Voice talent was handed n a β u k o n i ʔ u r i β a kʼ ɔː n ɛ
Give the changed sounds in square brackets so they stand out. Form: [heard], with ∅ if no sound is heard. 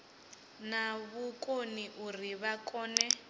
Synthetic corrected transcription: n a β u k o n i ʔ u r i β a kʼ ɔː n ɛ